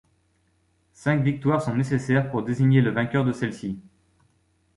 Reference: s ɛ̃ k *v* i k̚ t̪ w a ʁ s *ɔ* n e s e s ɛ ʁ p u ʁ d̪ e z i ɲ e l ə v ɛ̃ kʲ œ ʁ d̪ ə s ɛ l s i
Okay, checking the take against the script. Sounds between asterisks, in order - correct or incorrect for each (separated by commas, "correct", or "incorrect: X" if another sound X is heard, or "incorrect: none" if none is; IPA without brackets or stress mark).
correct, incorrect: ɔ̃